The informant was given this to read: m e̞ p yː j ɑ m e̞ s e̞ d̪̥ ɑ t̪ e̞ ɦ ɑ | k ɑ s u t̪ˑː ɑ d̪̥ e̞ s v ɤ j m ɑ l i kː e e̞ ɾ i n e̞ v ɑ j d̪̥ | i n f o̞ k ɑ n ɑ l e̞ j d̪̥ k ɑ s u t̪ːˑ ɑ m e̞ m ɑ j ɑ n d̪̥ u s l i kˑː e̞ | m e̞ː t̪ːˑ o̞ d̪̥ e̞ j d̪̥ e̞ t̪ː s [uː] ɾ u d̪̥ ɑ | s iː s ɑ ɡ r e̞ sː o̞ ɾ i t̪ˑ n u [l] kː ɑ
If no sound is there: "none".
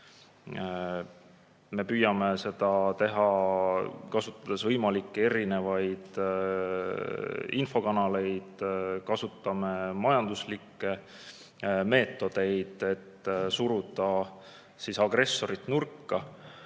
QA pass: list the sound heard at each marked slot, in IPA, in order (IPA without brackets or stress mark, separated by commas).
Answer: u, r